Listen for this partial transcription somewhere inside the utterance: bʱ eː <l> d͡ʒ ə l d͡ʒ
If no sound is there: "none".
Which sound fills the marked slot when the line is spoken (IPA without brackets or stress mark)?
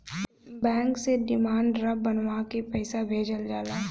none